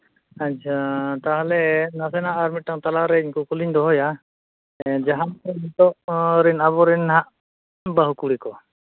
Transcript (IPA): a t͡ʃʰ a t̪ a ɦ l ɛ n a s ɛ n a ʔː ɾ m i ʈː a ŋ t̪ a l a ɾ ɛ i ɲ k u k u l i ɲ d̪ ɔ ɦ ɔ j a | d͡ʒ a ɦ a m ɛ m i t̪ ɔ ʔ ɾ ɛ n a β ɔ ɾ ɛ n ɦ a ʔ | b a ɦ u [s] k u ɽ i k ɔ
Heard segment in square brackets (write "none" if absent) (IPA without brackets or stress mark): none